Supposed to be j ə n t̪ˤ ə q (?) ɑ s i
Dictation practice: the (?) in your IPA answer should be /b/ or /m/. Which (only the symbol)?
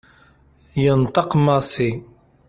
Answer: m